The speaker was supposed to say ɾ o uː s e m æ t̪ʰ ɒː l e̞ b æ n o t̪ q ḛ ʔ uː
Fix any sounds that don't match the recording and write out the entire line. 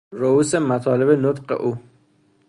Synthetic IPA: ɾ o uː s e m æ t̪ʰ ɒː l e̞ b e n o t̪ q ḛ ʔ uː

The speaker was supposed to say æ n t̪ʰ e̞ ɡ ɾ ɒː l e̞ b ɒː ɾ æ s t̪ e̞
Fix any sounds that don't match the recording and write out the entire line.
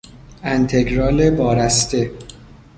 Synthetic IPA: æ n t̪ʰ e̞ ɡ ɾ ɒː l e̞ b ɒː ɾ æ s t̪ e̞

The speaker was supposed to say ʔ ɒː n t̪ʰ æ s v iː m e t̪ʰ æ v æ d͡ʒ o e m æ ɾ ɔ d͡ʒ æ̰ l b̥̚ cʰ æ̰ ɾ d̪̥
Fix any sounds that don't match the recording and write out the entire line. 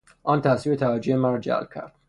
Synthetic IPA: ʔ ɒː n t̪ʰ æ s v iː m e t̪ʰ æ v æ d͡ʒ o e m æ ɾ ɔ d͡ʒ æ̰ l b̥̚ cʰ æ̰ ɾ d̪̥

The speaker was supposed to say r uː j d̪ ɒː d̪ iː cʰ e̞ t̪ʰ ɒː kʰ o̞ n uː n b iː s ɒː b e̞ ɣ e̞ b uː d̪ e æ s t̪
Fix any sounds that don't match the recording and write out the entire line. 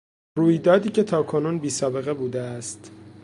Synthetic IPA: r uː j d̪ ɒː d̪ iː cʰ e̞ t̪ʰ ɒː kʰ o̞ n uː n b iː s ɒː b e̞ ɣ e̞ b uː d̪ e æ s t̪

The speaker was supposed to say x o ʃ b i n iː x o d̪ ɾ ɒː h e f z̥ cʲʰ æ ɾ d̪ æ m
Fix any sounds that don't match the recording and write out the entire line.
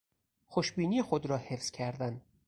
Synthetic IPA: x o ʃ b iː n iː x o d̪ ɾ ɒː h e f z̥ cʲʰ æ ɾ d̪ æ n

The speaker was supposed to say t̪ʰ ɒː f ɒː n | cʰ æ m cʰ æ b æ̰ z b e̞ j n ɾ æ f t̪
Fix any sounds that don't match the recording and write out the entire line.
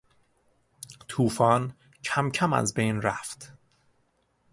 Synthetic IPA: t̪ʰ uː f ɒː n | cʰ æ m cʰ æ m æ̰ z b e̞ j n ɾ æ f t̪

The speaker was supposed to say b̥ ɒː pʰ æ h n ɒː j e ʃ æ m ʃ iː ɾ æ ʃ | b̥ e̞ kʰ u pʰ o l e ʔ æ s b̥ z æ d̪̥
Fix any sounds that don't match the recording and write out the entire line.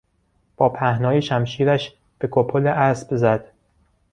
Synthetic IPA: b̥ ɒː pʰ æ h n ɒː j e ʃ æ m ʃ iː ɾ æ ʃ | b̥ e̞ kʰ o pʰ o l e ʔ æ s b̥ z æ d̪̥

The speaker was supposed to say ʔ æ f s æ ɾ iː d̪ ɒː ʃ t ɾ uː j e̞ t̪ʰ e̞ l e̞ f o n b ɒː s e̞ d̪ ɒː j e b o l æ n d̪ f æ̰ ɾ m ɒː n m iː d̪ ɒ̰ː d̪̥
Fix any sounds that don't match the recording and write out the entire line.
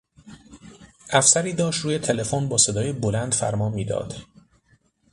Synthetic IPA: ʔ æ f s æ ɾ iː d̪ ɒː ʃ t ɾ uː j e̞ t̪ʰ e̞ l e̞ f o n b ɒː s e̞ d̪ ɒː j e b o l æ n d̪ f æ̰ ɾ m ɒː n m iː d̪ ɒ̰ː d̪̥

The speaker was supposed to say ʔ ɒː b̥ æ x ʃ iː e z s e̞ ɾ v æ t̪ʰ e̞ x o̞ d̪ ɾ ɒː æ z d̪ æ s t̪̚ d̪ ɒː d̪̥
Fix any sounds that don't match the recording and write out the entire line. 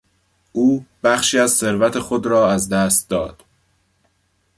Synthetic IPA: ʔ uː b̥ æ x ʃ iː æ z s e̞ ɾ v æ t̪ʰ e̞ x o̞ d̪ ɾ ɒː æ z d̪ æ s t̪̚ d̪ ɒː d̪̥

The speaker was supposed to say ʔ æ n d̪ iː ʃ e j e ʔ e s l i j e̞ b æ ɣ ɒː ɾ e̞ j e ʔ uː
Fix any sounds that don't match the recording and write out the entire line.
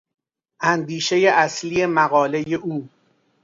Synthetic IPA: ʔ æ n d̪ iː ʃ e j e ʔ æ s l i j e̞ m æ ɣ ɒː l e̞ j e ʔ uː

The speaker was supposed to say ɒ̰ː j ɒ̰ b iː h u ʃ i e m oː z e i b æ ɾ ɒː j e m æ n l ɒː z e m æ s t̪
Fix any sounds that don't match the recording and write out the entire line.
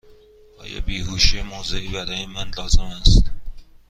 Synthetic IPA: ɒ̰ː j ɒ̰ b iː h u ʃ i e m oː z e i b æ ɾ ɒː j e m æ n l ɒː z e m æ s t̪

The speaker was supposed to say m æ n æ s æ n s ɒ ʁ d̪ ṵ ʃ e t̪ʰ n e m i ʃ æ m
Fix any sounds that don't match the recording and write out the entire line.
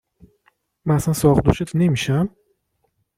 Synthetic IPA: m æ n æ s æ n s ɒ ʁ d̪ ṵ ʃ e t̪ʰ n e m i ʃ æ m

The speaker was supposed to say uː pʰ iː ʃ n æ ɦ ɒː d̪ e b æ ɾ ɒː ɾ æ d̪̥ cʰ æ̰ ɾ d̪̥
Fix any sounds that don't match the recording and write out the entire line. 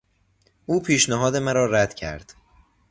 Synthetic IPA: uː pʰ iː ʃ n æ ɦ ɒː d̪ e m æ ɾ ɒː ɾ æ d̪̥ cʰ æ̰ ɾ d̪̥

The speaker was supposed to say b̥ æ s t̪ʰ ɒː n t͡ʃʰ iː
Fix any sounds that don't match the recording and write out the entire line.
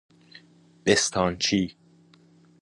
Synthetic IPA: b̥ e s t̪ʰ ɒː n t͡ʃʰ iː

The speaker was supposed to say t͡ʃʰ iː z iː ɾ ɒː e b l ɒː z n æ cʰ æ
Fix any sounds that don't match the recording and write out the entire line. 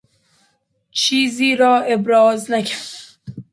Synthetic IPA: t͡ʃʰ iː z iː ɾ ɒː e b ɾ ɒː z n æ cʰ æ

